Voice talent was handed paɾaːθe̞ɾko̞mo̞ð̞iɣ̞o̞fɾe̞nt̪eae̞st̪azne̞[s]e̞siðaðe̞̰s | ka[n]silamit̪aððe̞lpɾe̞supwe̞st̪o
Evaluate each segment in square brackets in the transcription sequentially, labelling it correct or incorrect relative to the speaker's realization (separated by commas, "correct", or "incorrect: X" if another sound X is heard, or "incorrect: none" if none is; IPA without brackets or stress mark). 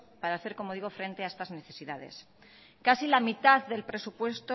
incorrect: θ, incorrect: none